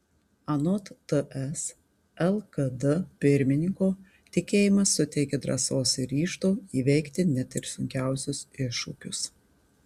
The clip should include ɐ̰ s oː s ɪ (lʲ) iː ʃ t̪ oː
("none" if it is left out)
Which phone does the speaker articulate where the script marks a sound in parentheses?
ɾʲ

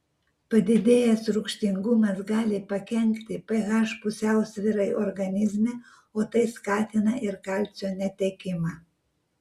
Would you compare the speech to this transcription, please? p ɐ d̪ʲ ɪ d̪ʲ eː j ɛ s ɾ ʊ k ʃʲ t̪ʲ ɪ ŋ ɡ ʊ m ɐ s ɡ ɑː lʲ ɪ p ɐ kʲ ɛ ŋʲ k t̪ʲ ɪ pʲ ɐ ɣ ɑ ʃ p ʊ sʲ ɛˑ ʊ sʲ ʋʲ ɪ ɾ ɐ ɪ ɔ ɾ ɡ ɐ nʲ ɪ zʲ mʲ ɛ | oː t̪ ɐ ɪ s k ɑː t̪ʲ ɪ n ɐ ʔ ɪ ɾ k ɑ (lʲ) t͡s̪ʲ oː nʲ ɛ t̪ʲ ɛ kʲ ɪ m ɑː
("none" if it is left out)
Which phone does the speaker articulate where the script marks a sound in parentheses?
lʲ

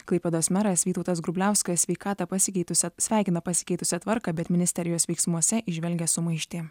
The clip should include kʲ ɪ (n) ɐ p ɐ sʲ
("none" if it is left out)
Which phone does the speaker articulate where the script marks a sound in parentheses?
n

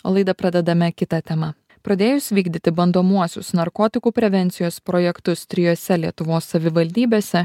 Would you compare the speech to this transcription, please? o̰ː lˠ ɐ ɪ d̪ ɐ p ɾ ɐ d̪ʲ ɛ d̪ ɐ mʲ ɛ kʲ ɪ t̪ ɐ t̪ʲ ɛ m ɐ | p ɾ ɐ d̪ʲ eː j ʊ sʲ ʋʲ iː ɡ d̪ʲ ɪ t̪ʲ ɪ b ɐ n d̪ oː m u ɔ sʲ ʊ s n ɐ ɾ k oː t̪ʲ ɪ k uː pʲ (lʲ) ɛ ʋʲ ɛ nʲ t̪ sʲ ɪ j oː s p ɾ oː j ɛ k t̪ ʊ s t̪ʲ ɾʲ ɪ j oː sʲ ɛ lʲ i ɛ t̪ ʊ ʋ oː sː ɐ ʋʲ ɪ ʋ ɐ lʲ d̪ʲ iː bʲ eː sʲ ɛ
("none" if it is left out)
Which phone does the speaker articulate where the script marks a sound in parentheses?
ɾʲ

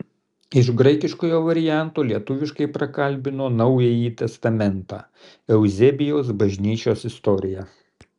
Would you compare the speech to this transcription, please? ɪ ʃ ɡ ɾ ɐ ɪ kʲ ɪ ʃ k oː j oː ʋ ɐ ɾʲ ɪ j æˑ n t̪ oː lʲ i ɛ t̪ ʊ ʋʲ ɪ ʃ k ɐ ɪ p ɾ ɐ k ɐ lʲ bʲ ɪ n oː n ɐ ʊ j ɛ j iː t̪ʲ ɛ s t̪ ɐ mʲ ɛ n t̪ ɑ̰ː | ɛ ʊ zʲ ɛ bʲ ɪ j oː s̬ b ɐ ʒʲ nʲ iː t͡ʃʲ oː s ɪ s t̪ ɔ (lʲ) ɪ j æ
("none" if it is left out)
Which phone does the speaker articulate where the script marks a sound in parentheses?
ɾʲ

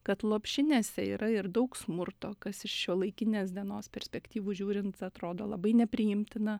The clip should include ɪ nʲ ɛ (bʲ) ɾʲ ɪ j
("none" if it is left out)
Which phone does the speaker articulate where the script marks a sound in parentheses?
pʲ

